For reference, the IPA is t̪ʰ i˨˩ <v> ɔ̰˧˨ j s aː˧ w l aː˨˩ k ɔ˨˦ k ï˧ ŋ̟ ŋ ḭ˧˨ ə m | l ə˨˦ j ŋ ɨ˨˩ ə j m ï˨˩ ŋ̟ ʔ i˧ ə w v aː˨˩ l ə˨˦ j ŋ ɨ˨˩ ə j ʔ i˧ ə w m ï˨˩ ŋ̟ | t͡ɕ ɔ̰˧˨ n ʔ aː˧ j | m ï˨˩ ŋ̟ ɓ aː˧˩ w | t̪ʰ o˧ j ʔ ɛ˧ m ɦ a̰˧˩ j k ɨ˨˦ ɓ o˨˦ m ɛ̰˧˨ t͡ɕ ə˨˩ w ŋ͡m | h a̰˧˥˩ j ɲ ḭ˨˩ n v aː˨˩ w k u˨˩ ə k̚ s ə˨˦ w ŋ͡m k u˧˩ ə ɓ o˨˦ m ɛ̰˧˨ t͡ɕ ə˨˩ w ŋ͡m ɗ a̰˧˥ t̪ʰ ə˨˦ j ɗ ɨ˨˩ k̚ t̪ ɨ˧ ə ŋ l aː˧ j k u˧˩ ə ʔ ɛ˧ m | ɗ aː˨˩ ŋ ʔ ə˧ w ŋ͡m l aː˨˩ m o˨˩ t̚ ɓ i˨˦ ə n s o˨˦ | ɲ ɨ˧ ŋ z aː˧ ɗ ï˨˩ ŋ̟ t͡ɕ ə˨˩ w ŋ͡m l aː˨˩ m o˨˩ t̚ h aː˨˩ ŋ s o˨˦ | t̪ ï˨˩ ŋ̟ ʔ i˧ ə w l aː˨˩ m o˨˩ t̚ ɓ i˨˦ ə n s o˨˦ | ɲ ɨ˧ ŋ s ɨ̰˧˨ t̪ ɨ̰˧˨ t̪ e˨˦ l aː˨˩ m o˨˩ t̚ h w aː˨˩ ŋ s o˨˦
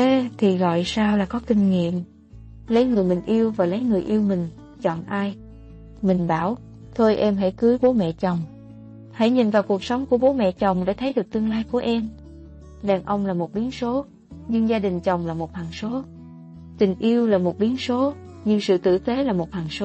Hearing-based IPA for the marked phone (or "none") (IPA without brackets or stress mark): ɣ